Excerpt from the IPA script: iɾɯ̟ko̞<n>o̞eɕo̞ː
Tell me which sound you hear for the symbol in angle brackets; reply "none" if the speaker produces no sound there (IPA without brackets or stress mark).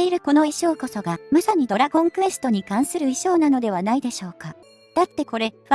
n